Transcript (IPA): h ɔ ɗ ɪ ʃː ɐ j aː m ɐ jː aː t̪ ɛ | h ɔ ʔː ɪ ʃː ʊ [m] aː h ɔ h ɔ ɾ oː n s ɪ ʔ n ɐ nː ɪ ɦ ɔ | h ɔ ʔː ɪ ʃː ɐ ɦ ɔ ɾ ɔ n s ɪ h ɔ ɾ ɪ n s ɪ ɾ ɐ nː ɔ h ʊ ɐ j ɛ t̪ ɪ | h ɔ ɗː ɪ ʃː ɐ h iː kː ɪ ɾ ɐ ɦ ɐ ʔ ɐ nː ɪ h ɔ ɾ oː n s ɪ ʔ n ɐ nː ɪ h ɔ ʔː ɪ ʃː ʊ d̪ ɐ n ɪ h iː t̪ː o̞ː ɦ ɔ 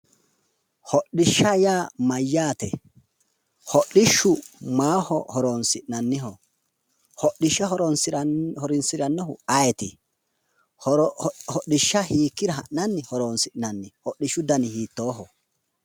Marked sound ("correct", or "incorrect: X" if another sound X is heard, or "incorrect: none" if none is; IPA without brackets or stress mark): correct